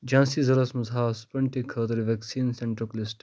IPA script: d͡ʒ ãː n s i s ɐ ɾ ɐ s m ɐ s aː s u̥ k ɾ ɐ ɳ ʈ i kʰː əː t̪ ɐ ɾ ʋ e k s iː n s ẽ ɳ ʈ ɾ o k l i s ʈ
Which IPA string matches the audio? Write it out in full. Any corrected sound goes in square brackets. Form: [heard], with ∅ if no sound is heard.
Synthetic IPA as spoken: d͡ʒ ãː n s i [z] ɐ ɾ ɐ s m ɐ [z] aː s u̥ [p] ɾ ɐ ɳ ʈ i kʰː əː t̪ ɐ ɾ ʋ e k s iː n s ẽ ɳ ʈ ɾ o k l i s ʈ